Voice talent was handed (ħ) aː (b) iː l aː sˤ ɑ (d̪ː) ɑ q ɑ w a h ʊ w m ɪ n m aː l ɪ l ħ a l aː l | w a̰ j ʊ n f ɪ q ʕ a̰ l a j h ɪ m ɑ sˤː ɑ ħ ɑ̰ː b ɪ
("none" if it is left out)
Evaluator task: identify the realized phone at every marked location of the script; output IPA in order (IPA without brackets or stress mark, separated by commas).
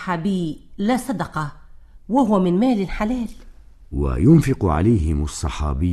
ħ, b, d̪